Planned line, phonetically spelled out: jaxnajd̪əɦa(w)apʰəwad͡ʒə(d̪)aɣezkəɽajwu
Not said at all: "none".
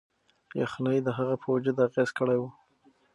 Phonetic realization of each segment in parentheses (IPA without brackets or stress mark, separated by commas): ɣ, d̪